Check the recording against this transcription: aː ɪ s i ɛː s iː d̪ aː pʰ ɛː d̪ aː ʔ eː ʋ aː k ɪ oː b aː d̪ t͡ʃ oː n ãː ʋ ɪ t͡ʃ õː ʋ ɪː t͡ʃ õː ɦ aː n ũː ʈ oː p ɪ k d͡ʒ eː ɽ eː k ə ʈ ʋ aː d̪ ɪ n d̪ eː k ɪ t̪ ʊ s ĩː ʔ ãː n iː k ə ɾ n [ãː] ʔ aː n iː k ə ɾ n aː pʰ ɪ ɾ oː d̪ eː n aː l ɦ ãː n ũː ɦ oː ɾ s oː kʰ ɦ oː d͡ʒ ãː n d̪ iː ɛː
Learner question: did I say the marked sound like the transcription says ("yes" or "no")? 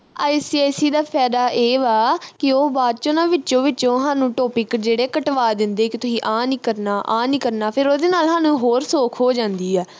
no